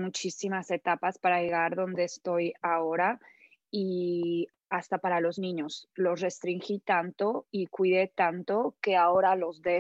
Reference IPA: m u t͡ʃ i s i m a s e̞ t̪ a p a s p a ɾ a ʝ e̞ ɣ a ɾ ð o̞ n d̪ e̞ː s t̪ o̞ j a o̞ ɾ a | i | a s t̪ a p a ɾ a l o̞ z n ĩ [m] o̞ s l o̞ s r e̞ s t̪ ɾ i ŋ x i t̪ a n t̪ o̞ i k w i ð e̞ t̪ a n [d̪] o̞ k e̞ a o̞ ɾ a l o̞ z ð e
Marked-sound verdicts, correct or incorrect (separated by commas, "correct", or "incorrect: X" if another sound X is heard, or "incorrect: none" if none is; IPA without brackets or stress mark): incorrect: ɲ, incorrect: t̪